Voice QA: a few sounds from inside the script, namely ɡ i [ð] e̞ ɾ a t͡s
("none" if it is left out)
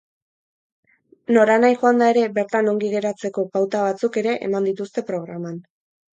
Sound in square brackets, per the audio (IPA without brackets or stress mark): ɣ